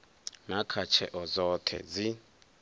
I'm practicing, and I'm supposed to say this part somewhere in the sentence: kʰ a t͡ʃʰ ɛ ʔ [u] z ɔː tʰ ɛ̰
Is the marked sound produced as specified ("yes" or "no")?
no